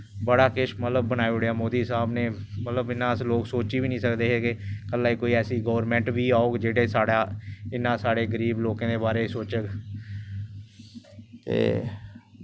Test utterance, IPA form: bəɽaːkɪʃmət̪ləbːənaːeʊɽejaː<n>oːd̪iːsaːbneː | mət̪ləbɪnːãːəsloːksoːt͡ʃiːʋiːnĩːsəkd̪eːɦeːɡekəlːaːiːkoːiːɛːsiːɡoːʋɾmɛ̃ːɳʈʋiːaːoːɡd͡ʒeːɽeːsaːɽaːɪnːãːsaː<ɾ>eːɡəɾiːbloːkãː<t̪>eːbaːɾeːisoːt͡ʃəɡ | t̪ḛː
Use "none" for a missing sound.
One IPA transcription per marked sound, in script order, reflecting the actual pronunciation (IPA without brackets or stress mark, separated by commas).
m, ɽ, d̪